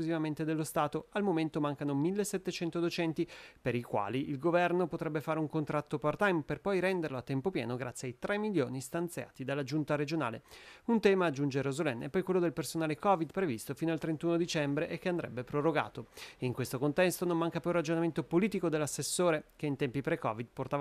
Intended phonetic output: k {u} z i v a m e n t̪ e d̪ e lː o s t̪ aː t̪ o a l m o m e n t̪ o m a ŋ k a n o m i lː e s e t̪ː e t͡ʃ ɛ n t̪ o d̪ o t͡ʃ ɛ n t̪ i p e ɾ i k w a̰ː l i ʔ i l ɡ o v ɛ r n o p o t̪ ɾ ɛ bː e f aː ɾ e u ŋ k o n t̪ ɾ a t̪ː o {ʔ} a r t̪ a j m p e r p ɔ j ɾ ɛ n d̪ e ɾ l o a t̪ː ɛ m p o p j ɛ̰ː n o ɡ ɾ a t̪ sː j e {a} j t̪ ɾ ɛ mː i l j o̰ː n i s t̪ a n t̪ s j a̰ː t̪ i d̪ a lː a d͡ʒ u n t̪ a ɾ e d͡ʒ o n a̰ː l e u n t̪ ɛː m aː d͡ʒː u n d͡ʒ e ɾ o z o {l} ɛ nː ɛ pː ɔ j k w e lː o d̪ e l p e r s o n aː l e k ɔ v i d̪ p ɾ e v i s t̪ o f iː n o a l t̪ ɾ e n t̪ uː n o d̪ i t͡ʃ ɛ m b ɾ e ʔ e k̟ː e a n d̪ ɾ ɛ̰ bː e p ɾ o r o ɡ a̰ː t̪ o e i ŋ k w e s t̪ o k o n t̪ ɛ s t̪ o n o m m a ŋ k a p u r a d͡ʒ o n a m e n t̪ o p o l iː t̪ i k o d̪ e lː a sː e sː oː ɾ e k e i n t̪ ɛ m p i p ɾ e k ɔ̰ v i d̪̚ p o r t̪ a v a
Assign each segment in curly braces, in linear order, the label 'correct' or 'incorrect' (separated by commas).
correct, incorrect, correct, correct